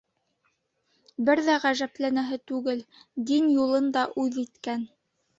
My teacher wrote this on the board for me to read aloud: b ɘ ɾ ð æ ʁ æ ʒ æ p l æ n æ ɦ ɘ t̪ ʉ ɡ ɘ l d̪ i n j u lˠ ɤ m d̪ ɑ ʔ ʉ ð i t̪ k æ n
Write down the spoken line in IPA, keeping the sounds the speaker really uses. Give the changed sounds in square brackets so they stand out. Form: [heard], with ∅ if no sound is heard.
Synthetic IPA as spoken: b ɘ ɾ ð æ ʁ æ ʒ æ p l æ n æ ɦ ɘ t̪ ʉ ɡ ɘ l d̪ i n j u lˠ ɤ [n] d̪ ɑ ʔ ʉ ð i t̪ k æ n